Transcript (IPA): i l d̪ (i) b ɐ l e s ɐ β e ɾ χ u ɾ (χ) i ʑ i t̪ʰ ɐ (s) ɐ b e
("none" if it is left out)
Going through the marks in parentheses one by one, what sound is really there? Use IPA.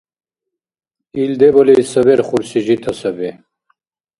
e, s, s

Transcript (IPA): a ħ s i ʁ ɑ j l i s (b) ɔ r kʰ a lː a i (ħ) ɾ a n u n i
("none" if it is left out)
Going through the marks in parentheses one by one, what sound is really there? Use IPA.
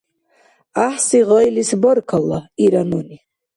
b, none

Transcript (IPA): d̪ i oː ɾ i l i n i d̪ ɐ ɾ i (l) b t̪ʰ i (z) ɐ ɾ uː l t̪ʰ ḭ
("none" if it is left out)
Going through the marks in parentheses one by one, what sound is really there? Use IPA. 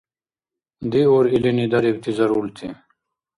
none, z

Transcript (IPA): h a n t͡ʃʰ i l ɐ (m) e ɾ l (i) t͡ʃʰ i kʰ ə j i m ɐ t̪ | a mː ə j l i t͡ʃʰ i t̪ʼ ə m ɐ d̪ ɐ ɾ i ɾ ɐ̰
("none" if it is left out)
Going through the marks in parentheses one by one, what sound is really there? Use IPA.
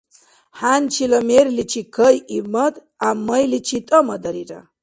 m, i

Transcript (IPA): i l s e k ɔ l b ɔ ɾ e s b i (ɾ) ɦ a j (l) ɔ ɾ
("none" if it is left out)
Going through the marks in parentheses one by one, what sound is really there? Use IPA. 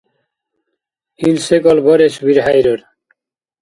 ɾ, ɾ

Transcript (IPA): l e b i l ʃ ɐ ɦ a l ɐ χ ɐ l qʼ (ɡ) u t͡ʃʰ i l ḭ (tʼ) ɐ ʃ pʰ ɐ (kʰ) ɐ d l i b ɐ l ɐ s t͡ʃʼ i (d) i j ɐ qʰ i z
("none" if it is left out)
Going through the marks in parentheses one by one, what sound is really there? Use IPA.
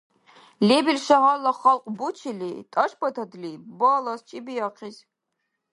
b, tʼ, tʰ, b

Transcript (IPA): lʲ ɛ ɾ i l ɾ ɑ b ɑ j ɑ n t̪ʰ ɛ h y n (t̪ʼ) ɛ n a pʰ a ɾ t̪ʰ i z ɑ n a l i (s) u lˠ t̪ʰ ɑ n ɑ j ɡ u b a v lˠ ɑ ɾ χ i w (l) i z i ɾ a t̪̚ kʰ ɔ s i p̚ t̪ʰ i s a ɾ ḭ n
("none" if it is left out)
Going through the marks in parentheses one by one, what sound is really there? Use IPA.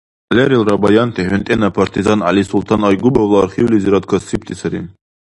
t̪ʼ, s, l

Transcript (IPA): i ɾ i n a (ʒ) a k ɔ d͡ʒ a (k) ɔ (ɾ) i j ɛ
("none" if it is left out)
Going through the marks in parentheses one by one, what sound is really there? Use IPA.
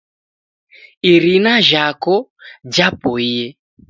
ʒ, p, none

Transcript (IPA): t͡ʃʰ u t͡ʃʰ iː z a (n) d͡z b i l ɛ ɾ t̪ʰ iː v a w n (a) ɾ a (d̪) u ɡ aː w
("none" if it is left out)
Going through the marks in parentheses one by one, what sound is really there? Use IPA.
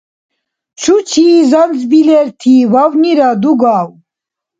n, i, d̪

